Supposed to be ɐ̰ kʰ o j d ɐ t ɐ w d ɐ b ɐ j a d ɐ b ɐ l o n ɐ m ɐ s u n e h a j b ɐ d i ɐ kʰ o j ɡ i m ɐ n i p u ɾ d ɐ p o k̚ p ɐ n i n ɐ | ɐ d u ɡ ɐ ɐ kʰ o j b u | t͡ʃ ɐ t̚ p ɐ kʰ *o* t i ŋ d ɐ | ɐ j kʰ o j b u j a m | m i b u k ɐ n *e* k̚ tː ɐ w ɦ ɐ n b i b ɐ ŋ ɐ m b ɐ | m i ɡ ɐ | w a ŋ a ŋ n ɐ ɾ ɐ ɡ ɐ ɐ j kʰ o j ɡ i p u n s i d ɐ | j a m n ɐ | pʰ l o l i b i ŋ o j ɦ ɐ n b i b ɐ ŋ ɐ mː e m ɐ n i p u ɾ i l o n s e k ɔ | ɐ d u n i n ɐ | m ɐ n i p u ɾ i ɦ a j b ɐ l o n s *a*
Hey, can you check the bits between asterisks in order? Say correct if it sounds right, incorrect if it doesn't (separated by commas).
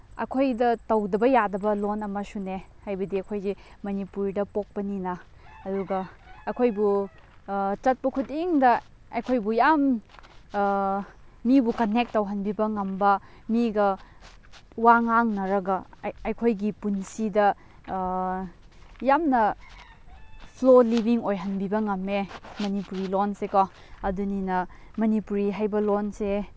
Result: incorrect, correct, incorrect